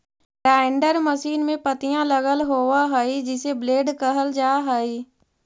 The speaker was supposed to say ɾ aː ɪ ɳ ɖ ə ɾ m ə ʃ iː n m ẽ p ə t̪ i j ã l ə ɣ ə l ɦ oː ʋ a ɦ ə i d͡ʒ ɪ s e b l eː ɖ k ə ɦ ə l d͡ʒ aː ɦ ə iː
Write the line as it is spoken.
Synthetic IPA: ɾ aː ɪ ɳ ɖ ə ɾ m ə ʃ iː n m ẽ p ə t̪ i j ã l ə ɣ ə l ɦ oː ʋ a ɦ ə i d͡ʒ ɪ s e b l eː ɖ k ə ɦ ə l d͡ʒ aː ɦ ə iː